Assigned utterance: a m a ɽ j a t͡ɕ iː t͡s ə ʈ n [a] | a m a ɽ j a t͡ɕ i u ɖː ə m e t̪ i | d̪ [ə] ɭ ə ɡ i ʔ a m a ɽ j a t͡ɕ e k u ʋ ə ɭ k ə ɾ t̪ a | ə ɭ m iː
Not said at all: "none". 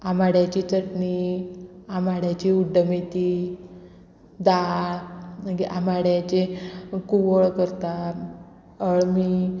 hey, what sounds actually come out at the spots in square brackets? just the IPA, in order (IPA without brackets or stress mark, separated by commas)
i, a